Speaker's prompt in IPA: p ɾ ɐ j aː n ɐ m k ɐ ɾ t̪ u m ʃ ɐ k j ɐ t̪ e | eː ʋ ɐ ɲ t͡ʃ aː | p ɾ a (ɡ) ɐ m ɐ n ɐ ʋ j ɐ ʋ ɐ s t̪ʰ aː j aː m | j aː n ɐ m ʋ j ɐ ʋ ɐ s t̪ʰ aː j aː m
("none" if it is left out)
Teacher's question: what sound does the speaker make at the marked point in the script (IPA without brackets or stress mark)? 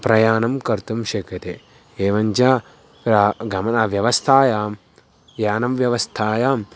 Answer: ɡ